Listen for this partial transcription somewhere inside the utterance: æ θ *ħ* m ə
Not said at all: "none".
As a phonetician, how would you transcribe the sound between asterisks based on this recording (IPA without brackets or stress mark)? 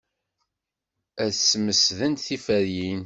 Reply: s